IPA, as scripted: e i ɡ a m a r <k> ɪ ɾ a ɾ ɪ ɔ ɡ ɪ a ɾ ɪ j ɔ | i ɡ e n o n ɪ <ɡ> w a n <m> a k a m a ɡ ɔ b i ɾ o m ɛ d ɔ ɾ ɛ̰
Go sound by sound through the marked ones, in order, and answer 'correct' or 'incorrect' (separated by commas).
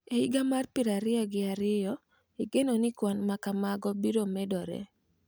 incorrect, incorrect, correct